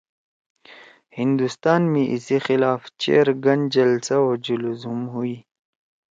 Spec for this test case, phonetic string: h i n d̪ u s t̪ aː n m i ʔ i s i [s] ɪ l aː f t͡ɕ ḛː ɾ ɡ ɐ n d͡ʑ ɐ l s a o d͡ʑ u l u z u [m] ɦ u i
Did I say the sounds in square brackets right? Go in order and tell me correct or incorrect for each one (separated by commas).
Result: incorrect, correct